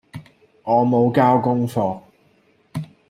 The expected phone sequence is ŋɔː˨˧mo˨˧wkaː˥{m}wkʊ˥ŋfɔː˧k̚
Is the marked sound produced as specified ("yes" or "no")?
no